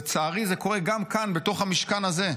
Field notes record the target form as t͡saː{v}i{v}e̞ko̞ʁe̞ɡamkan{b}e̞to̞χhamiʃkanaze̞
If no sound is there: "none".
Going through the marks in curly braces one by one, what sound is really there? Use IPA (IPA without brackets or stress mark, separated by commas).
ʁ, z, b